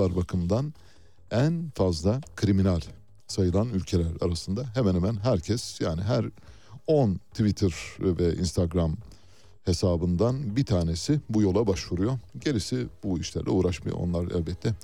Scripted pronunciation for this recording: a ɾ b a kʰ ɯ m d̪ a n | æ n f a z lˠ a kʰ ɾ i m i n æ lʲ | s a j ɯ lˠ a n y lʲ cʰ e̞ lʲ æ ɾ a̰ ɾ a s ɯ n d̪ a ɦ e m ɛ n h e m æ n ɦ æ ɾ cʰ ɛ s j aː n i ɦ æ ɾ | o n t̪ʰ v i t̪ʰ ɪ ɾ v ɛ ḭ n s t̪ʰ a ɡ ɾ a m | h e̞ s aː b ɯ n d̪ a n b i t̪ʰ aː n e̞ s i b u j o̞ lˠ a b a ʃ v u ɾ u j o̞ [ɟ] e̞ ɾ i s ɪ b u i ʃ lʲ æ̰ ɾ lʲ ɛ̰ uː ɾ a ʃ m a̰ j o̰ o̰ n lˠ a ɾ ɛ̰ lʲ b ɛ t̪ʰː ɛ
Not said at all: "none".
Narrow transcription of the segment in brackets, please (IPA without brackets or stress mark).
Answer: ɟ